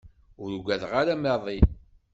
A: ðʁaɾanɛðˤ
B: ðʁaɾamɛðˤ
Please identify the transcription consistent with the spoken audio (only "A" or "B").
B